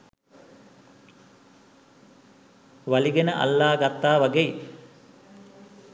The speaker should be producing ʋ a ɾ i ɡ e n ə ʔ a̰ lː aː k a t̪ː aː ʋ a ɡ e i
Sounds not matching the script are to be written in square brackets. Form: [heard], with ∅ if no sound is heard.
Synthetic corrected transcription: ʋ a [l] i ɡ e n ə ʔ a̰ lː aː [ɡ] a t̪ː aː ʋ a ɡ e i